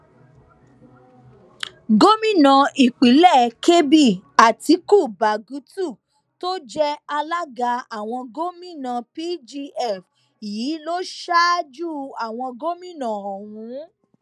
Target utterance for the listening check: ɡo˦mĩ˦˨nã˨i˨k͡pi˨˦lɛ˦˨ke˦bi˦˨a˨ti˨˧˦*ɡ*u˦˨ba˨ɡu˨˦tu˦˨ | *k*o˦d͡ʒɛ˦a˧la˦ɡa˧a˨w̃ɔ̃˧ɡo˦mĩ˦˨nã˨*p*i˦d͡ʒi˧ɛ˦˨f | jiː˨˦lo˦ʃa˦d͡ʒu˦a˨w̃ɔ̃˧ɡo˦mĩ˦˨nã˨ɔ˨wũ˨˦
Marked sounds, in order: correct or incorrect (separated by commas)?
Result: incorrect, incorrect, correct